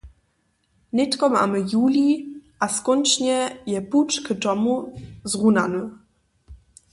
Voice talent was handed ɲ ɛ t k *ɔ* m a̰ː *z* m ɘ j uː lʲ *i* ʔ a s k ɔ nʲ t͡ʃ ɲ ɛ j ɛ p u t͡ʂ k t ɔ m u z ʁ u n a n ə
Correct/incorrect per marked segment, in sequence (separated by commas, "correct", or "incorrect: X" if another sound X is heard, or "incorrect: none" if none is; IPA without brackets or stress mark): correct, incorrect: none, correct